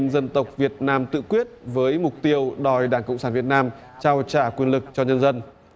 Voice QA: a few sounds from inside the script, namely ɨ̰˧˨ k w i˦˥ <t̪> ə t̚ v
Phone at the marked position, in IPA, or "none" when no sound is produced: none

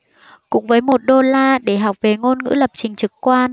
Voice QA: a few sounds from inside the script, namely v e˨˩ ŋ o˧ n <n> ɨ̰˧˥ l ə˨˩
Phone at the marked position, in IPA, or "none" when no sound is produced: ŋ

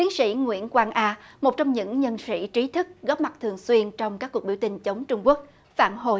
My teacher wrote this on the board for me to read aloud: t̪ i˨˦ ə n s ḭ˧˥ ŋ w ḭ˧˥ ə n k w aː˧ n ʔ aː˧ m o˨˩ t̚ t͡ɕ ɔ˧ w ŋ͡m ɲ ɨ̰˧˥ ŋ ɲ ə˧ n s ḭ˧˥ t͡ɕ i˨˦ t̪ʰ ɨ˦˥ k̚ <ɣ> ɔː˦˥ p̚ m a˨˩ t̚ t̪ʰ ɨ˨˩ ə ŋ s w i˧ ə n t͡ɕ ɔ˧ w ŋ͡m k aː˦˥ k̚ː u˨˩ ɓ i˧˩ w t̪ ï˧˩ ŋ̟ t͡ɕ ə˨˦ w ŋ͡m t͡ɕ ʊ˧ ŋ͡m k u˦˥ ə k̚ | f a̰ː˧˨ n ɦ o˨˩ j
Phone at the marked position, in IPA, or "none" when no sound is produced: ɣ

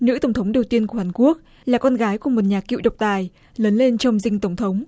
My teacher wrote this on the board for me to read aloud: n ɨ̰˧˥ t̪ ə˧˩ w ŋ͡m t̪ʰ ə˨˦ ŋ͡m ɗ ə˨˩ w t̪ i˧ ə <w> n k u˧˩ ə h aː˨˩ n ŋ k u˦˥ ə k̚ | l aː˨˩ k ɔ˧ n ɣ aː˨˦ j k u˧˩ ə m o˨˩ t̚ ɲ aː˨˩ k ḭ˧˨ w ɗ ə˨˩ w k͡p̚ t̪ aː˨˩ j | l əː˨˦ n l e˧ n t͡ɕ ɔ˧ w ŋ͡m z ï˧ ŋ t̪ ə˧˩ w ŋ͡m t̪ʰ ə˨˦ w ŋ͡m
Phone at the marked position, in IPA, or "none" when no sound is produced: none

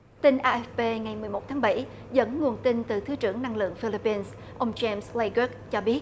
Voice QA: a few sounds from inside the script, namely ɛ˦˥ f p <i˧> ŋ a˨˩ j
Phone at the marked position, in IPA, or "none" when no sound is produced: e˧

